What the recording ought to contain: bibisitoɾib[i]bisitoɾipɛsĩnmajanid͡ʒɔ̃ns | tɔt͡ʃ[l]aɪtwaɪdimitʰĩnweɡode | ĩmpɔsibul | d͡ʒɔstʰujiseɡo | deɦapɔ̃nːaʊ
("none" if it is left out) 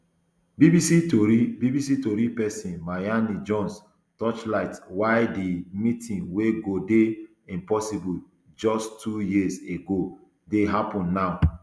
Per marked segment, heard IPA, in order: i, l

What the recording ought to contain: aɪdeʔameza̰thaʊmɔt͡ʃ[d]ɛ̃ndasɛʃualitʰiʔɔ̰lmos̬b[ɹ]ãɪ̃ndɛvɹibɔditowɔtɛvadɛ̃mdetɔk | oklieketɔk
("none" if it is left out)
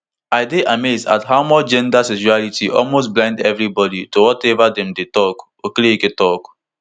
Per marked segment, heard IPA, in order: d͡ʒ, l

